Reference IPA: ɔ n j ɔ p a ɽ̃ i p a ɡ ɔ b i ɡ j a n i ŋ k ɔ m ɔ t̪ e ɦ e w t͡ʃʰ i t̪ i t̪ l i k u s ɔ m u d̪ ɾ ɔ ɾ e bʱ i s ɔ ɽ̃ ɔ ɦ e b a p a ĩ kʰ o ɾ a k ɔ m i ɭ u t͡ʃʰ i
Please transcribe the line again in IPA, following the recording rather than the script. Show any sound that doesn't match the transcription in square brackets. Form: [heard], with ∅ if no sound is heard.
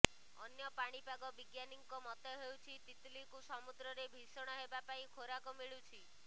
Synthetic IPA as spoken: ɔ n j ɔ p a ɽ̃ i p a ɡ ɔ b i ɡ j a n i ŋ k ɔ m ɔ t̪ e ɦ e w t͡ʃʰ i t̪ i t̪ l i k u s ɔ m u d̪ ɾ ɔ ɾ e bʱ i s ɔ ɽ̃ ɔ ɦ e b a p a ĩ kʰ o ɾ a k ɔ m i ɭ u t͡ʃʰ i